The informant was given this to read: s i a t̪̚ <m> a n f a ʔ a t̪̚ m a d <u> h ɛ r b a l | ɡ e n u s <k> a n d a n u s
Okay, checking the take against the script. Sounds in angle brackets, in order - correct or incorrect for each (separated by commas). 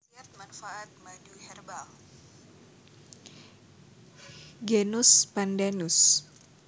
correct, correct, incorrect